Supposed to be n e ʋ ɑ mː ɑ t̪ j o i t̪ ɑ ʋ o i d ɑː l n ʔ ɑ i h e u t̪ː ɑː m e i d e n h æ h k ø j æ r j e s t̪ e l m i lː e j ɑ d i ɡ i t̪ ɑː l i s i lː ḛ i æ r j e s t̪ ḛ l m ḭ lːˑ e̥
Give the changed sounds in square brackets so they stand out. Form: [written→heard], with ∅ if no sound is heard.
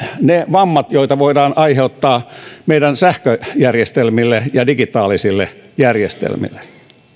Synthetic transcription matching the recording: n e ʋ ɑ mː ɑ t̪ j o i t̪ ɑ ʋ o i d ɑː [l→∅] n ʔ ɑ i h e u t̪ː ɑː m e i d [e→æ] n [h→s] æ h k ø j æ r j e s t̪ e l m i lː e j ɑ d i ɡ i t̪ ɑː l i s i lː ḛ [i→j] æ r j e s t̪ ḛ l m ḭ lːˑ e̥